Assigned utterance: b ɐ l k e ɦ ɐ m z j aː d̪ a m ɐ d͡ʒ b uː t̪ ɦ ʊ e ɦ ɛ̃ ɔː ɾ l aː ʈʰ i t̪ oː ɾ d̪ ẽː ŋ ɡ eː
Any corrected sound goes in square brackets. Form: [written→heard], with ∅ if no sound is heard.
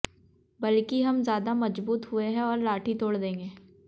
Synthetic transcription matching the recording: b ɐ l k [e→i] ɦ ɐ m z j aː d̪ a m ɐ d͡ʒ b uː t̪ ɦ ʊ e ɦ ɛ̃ ɔː ɾ l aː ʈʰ i t̪ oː [ɾ→ɽ] d̪ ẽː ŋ ɡ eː